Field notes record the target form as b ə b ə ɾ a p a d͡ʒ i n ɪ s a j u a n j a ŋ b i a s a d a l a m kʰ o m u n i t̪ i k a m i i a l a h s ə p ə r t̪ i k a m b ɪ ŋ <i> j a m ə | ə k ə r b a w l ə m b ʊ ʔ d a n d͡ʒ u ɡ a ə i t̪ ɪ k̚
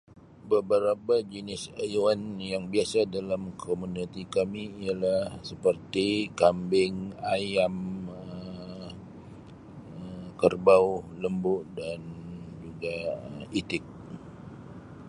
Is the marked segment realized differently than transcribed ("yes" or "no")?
yes